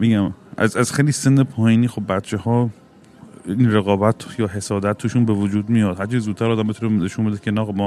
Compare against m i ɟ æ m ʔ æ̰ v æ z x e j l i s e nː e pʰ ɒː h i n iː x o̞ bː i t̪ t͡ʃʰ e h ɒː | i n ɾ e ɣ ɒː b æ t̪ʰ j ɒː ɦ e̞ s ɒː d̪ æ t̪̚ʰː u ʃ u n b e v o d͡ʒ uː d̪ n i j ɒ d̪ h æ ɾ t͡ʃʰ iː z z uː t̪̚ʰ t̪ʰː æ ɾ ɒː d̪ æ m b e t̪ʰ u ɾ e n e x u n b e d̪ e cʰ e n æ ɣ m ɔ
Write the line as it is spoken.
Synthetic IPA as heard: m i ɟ æ m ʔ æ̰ z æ z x e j l i s e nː e pʰ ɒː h i n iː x o̞ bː æ t̪ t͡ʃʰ e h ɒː | i n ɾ e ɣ ɒː b æ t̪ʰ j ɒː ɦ e̞ s ɒː d̪ æ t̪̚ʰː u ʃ u n b e v o d͡ʒ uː d̪ m i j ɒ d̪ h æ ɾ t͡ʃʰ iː z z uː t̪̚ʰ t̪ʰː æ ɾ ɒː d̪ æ m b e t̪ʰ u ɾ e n e ʃ u n b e d̪ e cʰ e n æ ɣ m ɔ